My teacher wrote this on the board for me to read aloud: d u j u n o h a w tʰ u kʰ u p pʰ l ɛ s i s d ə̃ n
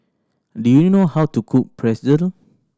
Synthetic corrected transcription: d u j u n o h a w t u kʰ u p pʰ ɹ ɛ s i d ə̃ n